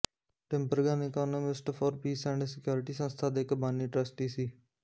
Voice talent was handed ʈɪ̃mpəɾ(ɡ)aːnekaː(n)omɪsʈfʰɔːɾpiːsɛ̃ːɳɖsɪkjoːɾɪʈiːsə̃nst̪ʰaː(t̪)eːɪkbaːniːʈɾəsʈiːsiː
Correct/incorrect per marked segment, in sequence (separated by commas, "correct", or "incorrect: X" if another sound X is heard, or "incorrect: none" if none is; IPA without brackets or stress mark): correct, correct, incorrect: d̪